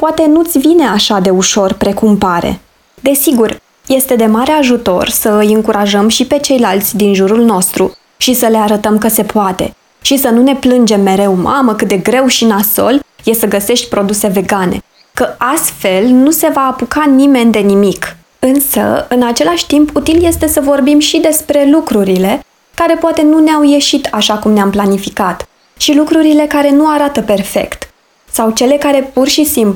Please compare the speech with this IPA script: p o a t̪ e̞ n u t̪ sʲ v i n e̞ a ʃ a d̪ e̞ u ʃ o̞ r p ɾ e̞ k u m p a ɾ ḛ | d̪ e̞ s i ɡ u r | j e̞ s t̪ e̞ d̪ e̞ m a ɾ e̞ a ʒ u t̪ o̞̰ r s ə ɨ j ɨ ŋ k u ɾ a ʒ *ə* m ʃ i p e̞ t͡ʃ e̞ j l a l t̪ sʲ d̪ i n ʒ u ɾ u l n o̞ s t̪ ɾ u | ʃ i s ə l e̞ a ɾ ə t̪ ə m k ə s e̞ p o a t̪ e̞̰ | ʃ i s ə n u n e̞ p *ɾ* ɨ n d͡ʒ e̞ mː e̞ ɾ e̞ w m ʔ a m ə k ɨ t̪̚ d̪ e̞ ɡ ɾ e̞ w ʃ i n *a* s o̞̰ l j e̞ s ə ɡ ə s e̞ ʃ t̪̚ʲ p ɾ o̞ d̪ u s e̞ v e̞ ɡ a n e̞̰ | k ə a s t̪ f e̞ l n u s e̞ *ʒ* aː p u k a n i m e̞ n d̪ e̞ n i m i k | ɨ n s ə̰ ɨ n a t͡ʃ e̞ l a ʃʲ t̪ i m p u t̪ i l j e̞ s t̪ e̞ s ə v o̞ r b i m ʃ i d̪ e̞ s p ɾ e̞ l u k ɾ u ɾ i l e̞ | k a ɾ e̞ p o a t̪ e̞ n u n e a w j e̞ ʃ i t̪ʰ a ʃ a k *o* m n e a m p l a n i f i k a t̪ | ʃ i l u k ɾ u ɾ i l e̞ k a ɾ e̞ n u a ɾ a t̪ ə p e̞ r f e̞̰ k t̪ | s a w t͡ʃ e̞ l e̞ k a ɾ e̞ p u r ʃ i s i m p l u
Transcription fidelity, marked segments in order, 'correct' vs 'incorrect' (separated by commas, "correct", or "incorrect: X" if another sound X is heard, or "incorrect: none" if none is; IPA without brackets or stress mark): correct, incorrect: l, correct, incorrect: v, incorrect: u